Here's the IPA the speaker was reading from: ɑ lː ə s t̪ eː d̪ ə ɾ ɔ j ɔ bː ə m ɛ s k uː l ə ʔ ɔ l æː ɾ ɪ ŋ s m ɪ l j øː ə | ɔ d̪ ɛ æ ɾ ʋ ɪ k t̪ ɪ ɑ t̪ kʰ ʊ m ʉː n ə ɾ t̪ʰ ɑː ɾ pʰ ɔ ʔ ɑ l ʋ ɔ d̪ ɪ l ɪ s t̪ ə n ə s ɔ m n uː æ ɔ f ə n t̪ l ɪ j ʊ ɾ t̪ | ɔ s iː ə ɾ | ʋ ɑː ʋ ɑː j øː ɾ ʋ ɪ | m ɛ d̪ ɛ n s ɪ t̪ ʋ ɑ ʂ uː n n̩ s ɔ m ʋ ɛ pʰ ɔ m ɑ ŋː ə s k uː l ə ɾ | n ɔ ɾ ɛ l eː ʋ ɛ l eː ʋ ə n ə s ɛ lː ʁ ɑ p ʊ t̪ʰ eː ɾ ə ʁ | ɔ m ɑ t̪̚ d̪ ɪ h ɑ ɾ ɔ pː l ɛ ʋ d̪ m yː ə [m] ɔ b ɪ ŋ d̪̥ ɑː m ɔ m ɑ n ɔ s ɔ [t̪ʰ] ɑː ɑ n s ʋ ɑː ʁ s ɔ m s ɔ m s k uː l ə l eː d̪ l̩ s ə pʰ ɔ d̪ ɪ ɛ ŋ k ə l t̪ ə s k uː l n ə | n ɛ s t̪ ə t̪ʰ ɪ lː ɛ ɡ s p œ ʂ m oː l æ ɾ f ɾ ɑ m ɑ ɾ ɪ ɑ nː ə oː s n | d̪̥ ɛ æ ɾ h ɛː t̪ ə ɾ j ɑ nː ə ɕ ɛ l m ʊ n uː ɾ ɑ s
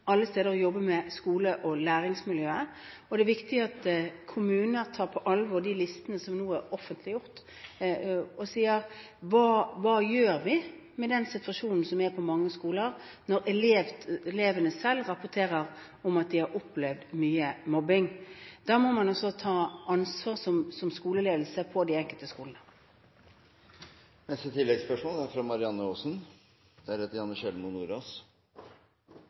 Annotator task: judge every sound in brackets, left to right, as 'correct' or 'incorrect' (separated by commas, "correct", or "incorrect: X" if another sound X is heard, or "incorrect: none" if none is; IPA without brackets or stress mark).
correct, correct